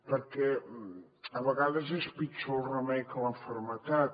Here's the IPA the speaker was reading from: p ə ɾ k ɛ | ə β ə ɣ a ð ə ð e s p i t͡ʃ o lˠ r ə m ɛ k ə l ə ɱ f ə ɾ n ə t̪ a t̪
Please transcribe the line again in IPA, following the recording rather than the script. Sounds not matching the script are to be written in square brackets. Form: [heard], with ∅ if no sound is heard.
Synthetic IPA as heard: p ə ɾ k ɛ | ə β ə ɣ a ð ə [z] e s p i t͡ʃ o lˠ r ə m ɛ k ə l ə ɱ f ə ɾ [m] ə t̪ a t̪